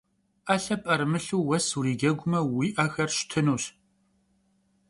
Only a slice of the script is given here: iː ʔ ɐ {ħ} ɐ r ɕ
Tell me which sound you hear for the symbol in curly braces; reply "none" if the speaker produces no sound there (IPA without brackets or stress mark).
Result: x